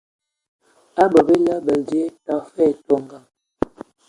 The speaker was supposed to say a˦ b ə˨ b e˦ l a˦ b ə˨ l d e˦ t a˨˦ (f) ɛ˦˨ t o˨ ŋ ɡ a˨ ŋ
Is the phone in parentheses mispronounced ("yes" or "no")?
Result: no